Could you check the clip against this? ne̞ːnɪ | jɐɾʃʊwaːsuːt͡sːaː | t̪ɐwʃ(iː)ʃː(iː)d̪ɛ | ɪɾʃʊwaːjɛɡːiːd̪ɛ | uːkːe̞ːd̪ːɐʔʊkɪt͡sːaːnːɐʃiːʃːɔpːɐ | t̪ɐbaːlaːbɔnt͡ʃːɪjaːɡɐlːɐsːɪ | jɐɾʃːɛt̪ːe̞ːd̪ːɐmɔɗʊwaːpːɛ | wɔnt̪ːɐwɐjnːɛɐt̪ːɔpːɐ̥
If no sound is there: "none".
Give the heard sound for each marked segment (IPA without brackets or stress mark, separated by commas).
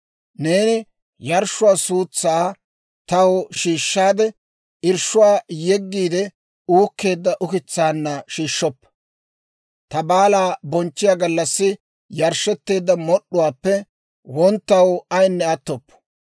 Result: iː, aː